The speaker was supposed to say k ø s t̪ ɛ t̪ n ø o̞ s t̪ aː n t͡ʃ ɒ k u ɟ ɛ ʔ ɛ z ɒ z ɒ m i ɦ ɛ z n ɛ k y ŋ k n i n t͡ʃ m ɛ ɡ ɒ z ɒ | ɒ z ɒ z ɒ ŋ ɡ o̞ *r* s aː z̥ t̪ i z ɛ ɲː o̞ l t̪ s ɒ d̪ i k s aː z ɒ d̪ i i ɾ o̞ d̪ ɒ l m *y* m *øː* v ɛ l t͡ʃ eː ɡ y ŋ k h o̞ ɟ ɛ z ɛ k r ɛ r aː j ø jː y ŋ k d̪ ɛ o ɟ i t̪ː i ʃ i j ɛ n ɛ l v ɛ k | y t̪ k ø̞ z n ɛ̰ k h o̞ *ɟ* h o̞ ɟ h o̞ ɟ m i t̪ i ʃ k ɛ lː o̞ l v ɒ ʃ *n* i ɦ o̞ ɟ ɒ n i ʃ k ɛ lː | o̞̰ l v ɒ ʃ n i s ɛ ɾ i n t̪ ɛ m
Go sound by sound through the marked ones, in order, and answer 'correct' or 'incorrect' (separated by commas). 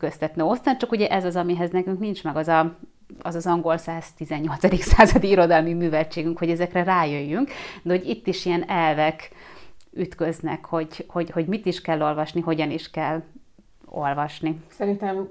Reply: incorrect, incorrect, incorrect, correct, correct